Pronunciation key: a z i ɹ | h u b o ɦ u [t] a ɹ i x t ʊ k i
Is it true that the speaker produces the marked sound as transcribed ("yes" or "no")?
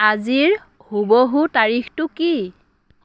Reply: yes